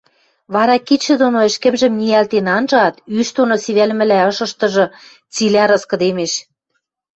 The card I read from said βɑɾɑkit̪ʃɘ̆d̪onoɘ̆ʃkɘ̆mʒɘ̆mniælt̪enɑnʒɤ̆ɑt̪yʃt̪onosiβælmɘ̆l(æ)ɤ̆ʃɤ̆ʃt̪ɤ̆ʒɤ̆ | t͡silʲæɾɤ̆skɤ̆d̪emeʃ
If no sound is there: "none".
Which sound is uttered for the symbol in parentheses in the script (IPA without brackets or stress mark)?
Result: æ